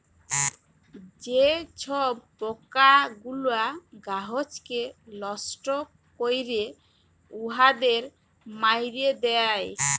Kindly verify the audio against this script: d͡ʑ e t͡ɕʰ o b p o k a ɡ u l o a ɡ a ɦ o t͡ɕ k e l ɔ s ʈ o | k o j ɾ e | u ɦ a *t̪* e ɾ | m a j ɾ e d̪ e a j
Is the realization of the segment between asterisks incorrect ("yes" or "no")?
yes